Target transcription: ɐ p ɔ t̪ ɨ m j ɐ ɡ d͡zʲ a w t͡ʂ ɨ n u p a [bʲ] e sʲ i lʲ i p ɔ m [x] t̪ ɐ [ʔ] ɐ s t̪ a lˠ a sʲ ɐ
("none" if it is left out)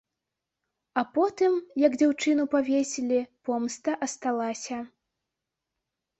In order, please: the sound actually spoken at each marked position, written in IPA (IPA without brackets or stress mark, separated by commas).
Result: vʲ, s, ʔ